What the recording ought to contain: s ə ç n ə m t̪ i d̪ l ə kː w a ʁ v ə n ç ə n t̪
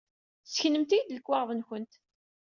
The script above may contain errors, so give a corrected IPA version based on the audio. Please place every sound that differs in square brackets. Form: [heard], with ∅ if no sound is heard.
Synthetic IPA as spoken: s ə ç n ə m t̪ i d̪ l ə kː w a ʁ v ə n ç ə n t̪